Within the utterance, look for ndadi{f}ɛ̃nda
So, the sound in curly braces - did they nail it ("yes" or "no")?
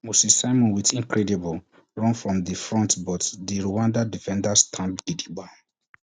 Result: yes